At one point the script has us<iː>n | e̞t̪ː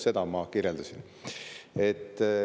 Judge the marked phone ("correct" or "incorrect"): incorrect